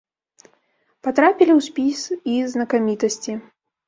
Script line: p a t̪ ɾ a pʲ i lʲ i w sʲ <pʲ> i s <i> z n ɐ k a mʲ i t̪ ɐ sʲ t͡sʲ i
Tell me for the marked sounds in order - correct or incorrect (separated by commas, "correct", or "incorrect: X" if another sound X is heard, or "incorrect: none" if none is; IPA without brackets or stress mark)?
correct, correct